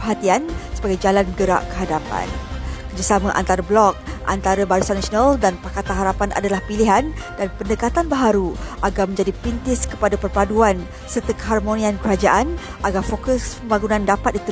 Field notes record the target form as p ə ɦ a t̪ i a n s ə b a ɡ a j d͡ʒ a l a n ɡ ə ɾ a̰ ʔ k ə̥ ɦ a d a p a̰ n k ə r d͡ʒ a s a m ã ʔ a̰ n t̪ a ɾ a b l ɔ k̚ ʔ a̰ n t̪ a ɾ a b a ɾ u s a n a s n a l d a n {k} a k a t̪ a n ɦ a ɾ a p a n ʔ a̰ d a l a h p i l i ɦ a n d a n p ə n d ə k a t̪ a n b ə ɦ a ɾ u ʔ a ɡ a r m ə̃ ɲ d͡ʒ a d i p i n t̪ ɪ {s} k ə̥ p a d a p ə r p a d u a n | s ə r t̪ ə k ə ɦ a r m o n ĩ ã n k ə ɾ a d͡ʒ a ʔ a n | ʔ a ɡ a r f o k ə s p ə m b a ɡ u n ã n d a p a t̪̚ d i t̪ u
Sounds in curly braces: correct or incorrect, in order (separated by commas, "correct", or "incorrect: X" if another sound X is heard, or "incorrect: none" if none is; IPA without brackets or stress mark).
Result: incorrect: p, correct